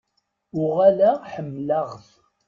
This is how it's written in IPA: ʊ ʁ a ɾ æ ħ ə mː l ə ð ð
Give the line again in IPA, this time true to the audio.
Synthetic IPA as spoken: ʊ ʁ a l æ ħ ə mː l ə ʁ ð